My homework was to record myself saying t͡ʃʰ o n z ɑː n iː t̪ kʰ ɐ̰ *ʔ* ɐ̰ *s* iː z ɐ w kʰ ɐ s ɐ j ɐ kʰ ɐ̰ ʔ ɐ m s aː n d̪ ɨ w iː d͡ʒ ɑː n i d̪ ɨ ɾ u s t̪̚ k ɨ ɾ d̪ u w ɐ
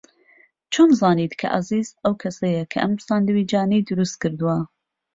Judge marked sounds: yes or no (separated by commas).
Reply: yes, no